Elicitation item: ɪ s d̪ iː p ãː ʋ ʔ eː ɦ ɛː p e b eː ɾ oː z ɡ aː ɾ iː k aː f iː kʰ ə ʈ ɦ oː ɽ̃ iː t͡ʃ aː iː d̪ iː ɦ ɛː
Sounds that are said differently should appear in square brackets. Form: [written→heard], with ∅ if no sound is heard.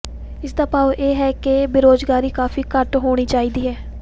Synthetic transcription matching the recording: ɪ s d̪ [iː→aː] p [ãː→aː] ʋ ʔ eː ɦ ɛː [p→k] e b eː ɾ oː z ɡ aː ɾ iː k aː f iː [kʰ→k] ə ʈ ɦ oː ɽ̃ iː t͡ʃ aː iː d̪ iː ɦ ɛː